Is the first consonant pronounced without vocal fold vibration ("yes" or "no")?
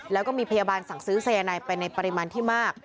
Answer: no